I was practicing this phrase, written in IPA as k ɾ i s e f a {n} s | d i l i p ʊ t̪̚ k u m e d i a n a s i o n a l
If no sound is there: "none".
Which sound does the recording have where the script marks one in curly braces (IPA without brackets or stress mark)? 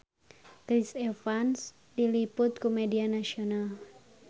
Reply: n